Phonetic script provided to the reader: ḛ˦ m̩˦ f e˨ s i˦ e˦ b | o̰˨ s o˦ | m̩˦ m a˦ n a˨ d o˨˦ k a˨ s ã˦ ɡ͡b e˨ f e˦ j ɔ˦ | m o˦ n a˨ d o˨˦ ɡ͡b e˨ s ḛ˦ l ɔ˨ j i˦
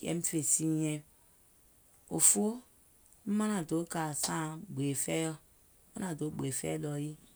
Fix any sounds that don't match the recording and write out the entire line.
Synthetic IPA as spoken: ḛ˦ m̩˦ f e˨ s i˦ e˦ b | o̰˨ f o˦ | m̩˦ m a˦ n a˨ d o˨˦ k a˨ s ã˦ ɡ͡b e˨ f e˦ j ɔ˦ | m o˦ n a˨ d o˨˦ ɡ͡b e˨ f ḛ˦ l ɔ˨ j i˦